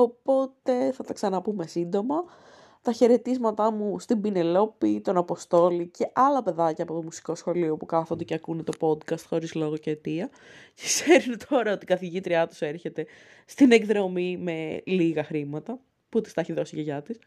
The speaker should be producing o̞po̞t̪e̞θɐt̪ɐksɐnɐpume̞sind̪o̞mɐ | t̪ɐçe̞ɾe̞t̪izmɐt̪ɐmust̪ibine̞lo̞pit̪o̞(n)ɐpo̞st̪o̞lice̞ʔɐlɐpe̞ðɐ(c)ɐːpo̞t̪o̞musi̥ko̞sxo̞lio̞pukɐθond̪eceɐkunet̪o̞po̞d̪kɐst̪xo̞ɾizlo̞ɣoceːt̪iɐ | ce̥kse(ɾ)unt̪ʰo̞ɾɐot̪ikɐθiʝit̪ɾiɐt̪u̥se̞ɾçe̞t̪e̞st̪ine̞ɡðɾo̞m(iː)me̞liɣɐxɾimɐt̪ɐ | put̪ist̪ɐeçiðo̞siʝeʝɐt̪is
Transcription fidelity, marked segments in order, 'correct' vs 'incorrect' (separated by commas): correct, correct, correct, incorrect